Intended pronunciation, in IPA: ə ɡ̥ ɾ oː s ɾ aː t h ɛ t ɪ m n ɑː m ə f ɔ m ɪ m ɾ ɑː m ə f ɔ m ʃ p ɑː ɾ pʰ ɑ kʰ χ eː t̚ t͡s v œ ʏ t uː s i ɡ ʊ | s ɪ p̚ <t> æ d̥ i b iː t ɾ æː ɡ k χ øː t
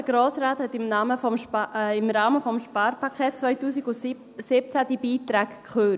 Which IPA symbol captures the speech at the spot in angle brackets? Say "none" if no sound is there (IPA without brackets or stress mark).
t͡s